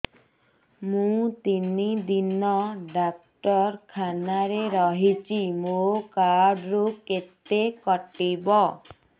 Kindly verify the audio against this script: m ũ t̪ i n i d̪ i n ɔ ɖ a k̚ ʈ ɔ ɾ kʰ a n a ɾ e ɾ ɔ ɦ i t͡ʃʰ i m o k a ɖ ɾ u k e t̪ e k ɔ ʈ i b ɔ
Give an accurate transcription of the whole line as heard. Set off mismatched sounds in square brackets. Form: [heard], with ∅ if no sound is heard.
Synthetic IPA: m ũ t̪ i n i d̪ i n ɔ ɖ a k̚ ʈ ɔ ɾ kʰ a n a ɾ e ɾ ɔ ɦ i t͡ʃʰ i m o k a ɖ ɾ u k e t̪ e k ɔ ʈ i b ɔ